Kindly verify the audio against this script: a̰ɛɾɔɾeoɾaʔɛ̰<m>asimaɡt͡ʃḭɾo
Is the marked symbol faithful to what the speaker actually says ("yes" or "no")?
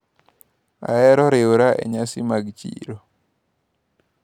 no